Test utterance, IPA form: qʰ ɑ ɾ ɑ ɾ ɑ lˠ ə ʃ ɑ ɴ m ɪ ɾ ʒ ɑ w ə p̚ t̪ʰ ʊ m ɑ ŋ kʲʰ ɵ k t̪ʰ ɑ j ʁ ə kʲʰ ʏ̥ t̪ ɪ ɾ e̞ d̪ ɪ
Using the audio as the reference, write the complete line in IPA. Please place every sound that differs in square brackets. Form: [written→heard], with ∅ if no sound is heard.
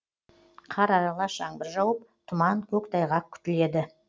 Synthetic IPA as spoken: qʰ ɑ ɾ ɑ ɾ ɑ lˠ [ə→ɑ] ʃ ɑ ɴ [m→b] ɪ ɾ ʒ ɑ w ə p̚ t̪ʰ ʊ m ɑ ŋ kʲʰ ɵ k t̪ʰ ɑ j ʁ [ə→ɑ] kʲʰ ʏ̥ t̪ ɪ [ɾ→l] e̞ d̪ ɪ

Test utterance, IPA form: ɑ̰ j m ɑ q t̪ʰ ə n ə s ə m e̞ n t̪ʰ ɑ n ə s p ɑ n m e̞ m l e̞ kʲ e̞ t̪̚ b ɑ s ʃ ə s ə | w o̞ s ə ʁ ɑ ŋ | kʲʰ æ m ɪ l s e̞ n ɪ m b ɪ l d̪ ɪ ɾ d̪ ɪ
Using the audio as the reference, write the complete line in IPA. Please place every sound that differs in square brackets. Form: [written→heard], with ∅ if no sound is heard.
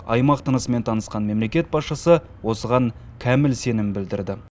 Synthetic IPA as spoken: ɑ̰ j m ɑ q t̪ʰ ə n ə s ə m e̞ n t̪ʰ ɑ n ə s [p→q] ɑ n m e̞ m l e̞ kʲ e̞ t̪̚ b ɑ s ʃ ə s ə | w o̞ s ə ʁ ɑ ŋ | kʲʰ æ m ɪ l s e̞ n ɪ m b ɪ l d̪ ɪ ɾ d̪ ɪ

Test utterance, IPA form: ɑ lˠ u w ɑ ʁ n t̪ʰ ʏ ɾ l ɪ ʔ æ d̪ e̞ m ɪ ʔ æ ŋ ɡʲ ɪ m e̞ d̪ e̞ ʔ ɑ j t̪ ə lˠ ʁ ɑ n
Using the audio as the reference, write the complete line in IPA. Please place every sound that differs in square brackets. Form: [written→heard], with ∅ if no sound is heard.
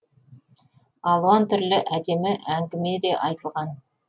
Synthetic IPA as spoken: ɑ lˠ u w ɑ [ʁ→∅] n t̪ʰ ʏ ɾ l ɪ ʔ æ d̪ e̞ m ɪ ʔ æ ŋ ɡʲ ɪ m e̞ d̪ e̞ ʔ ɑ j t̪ ə lˠ ʁ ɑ n

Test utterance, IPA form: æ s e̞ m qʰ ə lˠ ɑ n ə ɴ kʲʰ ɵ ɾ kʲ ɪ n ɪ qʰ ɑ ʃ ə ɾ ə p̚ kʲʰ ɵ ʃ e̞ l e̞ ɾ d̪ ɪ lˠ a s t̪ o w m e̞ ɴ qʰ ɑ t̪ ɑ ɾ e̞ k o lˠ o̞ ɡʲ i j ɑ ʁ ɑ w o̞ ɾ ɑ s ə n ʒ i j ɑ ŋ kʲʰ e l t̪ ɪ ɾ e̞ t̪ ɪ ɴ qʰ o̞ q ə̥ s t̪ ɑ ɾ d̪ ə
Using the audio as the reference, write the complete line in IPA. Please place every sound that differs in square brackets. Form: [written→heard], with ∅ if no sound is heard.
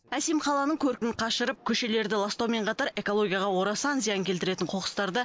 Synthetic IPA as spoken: æ s e̞ m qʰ [ə→ɑ] lˠ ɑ n ə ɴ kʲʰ ɵ ɾ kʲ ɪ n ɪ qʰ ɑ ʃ ə ɾ ə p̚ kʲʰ ɵ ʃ e̞ l e̞ ɾ d̪ ɪ lˠ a s t̪ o w m e̞ ɴ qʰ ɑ t̪ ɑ ɾ e̞ k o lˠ o̞ ɡʲ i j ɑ ʁ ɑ w o̞ ɾ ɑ s [ə→ɑ] n [ʒ→z] i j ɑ ŋ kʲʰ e l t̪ ɪ ɾ e̞ t̪ ɪ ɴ qʰ o̞ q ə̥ s t̪ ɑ ɾ d̪ ə

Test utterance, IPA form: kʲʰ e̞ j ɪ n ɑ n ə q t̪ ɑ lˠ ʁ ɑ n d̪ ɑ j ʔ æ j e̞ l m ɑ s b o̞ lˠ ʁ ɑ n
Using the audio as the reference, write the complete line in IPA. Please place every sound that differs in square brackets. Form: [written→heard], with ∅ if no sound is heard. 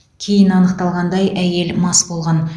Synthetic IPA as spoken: kʲʰ e̞ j ɪ n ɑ n ə q t̪ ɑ lˠ ʁ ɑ n d̪ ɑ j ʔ æ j e̞ l m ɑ s b o̞ lˠ ʁ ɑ n

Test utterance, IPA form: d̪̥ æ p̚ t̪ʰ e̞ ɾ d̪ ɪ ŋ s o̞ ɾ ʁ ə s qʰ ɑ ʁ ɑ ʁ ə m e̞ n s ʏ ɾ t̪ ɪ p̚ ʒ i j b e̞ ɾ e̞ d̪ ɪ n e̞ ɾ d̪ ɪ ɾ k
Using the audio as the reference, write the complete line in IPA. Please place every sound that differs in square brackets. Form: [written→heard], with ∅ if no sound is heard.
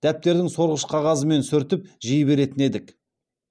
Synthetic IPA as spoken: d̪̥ æ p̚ [t̪ʰ→t̪] e̞ ɾ d̪ ɪ ŋ s o̞ ɾ ʁ ə [s→ʃ] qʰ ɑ ʁ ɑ [ʁ→z] ə m e̞ n s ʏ ɾ t̪ ɪ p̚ ʒ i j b e̞ ɾ e̞ [d̪→t̪] ɪ n e̞ [ɾ→∅] d̪ ɪ [ɾ→∅] k

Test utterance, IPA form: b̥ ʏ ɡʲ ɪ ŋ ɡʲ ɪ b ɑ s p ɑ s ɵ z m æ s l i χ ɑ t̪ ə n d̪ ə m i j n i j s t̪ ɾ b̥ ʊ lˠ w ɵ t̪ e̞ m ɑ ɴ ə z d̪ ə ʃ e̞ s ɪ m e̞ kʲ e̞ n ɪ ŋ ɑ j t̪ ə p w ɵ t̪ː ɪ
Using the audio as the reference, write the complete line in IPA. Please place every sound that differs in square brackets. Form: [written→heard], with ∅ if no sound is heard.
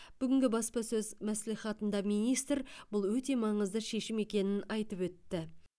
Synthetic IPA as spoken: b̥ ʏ ɡʲ ɪ ŋ ɡʲ ɪ b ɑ s p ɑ s ɵ z m æ s l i χ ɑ t̪ ə n d̪ [ə→ɑ] m i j n i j s t̪ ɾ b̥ ʊ lˠ w ɵ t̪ e̞ m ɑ ɴ ə z d̪ ə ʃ e̞ [s→ʃ] ɪ m e̞ kʲ e̞ n ɪ [ŋ→n] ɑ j t̪ ə p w ɵ t̪ː ɪ

